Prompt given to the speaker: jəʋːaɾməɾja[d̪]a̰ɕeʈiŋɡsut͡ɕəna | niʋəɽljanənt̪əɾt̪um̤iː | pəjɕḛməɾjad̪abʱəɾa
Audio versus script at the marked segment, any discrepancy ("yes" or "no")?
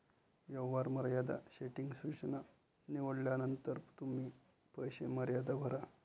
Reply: no